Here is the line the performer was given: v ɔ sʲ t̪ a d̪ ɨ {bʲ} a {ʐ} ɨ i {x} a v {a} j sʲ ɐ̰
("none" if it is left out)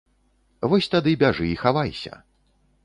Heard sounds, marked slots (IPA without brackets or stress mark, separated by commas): bʲ, ʐ, x, a